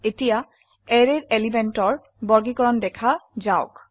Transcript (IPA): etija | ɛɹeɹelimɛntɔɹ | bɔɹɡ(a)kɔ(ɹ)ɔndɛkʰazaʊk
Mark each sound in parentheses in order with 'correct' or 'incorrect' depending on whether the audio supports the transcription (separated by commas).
incorrect, correct